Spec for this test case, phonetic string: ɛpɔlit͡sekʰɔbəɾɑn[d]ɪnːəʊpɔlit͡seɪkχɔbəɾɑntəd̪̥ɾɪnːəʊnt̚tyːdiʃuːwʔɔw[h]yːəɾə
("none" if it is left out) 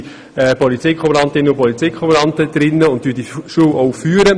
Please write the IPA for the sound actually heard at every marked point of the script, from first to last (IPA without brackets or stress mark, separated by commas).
t, f